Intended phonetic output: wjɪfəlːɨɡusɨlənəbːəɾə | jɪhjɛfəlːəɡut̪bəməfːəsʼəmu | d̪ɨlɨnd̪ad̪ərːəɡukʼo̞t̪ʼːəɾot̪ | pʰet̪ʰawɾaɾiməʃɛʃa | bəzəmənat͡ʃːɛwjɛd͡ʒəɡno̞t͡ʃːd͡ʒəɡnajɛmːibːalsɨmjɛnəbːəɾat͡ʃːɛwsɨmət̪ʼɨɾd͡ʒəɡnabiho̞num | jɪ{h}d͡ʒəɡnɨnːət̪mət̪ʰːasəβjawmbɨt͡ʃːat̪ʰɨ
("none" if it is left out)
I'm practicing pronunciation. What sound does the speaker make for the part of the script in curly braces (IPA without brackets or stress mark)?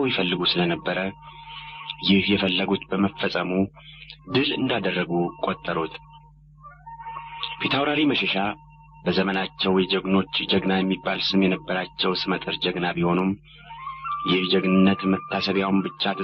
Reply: h